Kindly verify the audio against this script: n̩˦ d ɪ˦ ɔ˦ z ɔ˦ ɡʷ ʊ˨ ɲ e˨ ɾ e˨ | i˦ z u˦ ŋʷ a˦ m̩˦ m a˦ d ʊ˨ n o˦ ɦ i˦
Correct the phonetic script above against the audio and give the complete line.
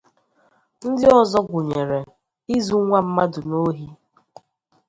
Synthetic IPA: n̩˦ d ɪ˦ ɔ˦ z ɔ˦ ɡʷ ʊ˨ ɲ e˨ ɾ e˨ | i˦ z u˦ ŋʷ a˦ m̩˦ m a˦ d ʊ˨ n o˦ ɦ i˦